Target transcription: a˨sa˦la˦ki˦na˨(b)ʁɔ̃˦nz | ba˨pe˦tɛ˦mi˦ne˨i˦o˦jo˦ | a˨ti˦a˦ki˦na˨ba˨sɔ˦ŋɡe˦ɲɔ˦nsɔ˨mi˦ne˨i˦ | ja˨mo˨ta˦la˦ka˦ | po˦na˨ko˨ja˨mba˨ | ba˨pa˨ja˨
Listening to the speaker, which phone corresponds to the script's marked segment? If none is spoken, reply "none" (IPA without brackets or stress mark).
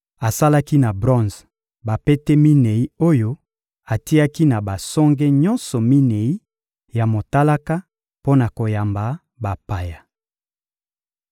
b